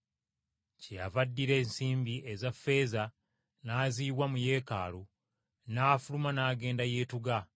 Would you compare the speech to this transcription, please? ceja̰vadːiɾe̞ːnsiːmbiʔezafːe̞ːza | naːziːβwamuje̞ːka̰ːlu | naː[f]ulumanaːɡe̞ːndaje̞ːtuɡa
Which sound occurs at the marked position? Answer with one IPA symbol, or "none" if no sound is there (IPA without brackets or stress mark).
f